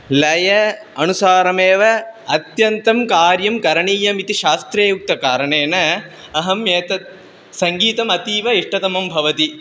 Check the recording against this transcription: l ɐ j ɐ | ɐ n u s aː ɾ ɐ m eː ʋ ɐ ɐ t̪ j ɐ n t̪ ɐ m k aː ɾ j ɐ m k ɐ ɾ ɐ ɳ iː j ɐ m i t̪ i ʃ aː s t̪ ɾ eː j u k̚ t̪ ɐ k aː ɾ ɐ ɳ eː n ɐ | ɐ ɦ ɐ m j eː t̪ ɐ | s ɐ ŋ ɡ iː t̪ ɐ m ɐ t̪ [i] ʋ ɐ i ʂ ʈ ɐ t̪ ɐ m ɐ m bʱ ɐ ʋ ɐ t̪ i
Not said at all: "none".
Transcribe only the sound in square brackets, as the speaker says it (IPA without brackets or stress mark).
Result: iː